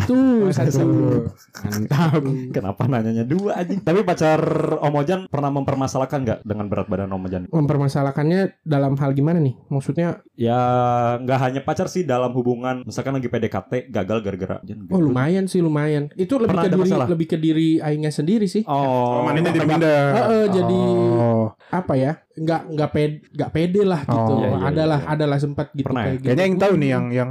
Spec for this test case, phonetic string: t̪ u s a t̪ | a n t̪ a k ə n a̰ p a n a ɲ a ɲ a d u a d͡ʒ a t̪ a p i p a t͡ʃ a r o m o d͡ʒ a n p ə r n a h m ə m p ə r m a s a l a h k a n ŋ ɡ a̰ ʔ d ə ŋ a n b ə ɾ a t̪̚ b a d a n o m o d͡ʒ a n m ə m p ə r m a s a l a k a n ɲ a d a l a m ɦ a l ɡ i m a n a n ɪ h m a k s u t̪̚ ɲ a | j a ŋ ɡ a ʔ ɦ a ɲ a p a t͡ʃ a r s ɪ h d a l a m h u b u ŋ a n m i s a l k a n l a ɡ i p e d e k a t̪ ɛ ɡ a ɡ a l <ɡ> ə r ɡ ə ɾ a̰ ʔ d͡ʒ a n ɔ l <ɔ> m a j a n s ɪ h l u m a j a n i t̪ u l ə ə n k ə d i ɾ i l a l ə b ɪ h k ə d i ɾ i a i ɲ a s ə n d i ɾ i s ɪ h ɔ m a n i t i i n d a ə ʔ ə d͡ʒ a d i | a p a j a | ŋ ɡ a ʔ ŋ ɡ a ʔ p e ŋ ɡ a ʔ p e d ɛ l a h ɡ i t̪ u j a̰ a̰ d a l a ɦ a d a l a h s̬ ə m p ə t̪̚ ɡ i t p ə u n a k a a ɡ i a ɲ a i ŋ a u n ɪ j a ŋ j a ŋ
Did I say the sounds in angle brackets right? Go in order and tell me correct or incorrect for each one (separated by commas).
correct, incorrect